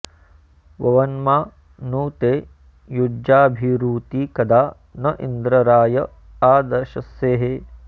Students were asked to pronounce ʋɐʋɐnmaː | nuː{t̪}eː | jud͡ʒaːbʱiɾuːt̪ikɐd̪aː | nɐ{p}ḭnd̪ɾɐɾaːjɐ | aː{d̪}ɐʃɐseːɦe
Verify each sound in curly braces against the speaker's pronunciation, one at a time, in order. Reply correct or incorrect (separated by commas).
correct, incorrect, correct